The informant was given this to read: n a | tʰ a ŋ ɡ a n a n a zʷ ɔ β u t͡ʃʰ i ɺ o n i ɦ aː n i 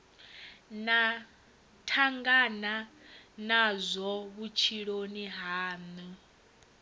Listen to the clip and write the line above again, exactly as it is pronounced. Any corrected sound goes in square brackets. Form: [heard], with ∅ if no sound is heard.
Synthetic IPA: n a | tʰ a ŋ ɡ a n a n a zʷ ɔ β u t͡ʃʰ i ɺ o n i ɦ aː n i